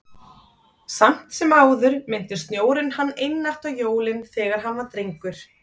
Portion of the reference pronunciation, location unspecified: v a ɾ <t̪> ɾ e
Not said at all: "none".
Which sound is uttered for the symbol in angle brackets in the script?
t̪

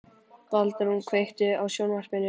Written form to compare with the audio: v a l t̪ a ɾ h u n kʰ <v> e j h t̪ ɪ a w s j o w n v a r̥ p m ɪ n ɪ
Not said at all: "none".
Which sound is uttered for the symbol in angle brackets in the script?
v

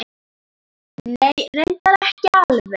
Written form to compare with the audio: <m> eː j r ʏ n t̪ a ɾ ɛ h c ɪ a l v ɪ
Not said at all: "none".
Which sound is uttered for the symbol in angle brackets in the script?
n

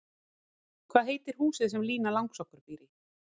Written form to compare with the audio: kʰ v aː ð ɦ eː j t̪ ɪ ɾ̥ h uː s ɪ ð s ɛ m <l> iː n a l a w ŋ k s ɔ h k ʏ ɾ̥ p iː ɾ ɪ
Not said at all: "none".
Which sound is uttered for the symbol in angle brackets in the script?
l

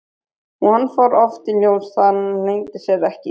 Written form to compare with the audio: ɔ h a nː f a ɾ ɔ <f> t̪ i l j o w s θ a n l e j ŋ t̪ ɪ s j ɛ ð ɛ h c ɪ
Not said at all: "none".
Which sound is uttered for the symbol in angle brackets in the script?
f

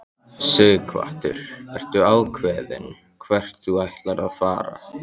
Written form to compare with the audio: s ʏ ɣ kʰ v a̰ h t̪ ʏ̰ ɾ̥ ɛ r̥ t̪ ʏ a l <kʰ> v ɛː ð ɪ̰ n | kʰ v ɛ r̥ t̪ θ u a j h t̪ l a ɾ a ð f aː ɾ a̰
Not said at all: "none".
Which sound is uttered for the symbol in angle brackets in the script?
kʰ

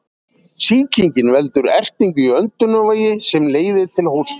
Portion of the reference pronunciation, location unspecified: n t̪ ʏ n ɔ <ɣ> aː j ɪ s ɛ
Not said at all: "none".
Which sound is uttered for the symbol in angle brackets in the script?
v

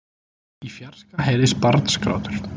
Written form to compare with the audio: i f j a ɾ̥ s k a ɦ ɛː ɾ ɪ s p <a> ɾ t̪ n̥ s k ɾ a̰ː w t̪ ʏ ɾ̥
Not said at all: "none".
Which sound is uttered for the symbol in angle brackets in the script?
a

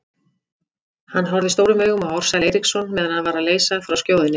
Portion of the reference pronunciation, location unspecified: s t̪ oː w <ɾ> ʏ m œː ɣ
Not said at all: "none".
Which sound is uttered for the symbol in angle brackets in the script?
ɾ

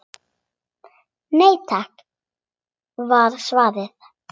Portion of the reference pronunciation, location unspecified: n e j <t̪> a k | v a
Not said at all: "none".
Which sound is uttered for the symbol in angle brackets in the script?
t̪ʰ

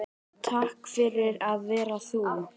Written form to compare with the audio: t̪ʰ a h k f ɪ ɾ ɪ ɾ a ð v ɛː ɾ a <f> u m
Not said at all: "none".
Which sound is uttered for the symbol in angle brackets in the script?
θ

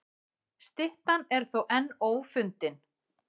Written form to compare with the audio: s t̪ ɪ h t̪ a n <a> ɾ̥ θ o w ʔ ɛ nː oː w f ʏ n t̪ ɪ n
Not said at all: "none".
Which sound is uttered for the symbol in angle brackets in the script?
ɛ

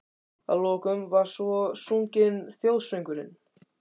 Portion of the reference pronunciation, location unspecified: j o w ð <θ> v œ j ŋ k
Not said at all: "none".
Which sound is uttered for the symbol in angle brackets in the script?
s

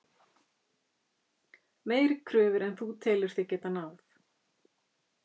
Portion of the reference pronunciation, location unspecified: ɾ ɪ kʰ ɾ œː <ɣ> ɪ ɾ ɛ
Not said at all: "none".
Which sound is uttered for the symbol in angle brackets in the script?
v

